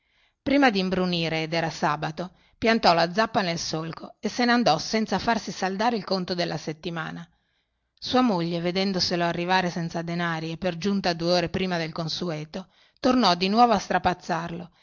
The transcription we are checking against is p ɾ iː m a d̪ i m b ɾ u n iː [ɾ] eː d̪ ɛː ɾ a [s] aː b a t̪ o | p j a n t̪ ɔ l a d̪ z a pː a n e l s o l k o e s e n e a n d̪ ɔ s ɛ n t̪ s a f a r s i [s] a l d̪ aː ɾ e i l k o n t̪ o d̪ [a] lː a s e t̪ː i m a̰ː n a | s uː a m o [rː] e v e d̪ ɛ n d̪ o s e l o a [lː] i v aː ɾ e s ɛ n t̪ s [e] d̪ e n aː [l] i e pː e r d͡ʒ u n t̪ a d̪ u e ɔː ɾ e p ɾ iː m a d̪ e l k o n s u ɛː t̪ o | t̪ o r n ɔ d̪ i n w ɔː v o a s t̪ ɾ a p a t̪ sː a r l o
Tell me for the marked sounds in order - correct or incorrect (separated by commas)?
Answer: correct, correct, correct, incorrect, incorrect, incorrect, incorrect, incorrect